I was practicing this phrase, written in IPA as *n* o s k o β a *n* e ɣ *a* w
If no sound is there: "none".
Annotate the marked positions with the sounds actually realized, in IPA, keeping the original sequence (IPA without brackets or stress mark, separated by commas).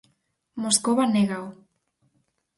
m, n, a